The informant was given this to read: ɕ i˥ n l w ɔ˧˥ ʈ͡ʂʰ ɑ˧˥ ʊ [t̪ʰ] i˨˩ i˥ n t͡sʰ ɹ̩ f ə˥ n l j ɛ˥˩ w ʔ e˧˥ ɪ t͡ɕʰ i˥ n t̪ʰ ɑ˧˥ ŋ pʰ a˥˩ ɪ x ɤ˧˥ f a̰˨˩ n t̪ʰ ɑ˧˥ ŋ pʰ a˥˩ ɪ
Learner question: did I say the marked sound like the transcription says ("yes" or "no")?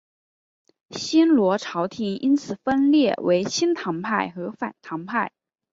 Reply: yes